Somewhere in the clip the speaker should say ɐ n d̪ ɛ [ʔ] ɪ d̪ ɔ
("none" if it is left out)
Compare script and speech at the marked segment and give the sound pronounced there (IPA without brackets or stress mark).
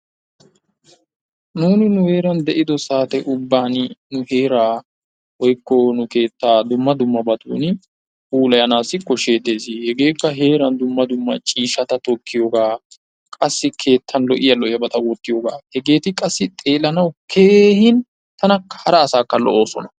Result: ʔ